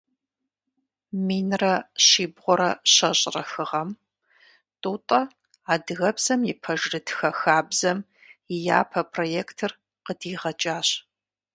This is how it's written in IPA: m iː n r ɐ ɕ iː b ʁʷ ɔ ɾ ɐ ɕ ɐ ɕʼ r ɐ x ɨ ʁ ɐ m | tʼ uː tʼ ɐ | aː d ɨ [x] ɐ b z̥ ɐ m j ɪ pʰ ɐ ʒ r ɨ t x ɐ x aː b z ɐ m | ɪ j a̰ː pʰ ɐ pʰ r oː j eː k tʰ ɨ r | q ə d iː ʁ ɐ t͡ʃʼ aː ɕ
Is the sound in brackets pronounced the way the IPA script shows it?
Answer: no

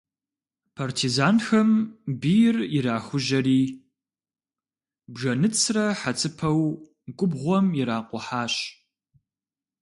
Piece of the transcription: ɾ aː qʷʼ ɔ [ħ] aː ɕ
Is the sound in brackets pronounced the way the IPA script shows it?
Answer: yes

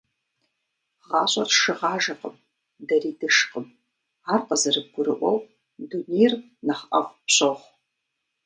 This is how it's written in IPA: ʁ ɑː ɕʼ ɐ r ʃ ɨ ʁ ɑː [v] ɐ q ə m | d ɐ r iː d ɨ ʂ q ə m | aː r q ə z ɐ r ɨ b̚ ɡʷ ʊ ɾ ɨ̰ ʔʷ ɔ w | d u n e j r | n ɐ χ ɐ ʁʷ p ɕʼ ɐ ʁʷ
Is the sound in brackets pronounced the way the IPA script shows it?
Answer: no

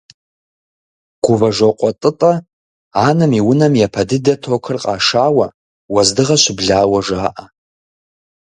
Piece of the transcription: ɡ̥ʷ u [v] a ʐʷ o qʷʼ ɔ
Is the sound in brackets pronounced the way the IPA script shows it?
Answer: yes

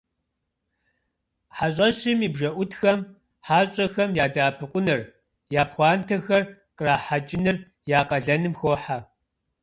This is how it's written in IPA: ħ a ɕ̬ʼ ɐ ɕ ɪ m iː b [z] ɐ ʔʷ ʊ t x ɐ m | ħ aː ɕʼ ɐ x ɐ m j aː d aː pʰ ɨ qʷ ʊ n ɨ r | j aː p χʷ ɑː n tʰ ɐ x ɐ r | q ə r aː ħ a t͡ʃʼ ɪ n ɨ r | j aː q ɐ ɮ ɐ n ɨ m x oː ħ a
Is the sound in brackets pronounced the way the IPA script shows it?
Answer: no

